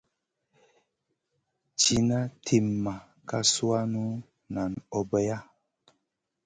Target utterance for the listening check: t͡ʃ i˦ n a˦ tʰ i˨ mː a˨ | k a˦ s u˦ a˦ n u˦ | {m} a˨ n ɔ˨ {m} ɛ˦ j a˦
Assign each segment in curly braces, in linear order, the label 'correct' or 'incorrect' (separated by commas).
incorrect, incorrect